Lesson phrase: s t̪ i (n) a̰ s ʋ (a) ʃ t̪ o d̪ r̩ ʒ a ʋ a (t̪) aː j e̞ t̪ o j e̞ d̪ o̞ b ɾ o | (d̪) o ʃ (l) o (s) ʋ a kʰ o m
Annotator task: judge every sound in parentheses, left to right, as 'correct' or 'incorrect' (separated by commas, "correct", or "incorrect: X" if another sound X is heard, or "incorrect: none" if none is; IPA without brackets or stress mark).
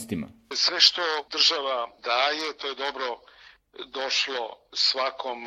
incorrect: m, incorrect: e, incorrect: d̪, correct, correct, correct